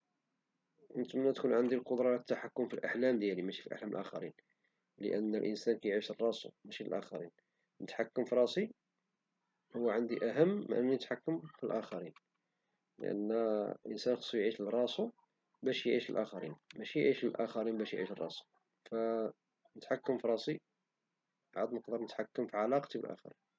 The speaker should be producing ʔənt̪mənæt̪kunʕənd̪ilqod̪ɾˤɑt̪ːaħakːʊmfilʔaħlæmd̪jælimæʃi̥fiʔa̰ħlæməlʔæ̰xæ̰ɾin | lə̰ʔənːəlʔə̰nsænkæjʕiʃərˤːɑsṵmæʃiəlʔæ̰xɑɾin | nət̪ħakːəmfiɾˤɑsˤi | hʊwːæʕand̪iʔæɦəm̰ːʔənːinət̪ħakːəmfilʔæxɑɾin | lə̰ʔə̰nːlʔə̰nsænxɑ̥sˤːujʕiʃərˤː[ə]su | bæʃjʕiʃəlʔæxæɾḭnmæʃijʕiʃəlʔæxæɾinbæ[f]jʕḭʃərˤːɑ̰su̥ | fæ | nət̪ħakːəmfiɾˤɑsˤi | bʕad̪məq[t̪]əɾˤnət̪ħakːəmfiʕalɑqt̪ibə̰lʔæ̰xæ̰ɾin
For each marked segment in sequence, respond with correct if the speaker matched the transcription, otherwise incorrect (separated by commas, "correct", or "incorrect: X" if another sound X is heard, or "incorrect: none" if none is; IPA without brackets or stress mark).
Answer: incorrect: ɑ, incorrect: ʃ, incorrect: d̪